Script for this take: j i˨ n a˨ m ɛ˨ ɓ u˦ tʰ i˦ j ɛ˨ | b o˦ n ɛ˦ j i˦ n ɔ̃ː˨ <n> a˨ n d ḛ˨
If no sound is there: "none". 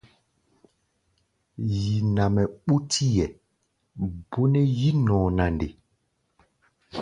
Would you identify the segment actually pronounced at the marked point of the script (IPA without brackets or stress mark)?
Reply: n